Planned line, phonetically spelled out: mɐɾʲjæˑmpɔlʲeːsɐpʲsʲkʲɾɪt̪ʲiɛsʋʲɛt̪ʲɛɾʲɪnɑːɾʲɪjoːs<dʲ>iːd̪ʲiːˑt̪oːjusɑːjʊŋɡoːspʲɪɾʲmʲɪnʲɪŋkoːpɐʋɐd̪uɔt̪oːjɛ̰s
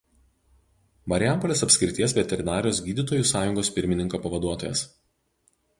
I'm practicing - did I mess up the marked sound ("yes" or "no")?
yes